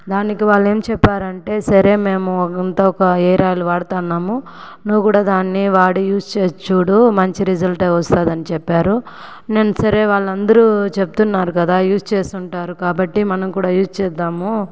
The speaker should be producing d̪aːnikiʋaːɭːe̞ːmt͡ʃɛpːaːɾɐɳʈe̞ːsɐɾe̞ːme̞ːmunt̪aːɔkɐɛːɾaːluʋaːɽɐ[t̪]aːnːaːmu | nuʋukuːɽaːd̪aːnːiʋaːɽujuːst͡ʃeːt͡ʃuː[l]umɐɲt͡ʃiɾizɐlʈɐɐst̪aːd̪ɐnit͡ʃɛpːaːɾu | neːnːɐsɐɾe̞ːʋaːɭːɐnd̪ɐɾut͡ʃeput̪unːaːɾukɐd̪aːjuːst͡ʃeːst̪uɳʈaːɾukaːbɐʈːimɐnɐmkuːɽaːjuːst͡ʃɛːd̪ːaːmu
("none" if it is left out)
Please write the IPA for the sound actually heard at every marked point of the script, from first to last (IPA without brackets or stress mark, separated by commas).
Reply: t̪, ɽ